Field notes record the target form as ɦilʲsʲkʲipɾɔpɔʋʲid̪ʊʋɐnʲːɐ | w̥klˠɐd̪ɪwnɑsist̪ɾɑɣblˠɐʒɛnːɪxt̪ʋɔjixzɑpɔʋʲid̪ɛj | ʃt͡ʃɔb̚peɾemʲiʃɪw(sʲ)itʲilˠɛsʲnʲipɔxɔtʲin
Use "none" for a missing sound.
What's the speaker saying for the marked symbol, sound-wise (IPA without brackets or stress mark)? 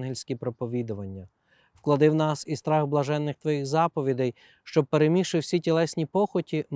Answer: sʲ